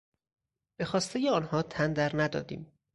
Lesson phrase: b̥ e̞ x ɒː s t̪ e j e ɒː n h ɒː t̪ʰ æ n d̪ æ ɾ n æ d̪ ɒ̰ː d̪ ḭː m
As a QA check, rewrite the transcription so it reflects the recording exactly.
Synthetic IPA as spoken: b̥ e̞ x ɒː s t̪ e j e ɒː n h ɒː t̪ʰ æ n d̪ æ ɾ n æ d̪ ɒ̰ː d̪ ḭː m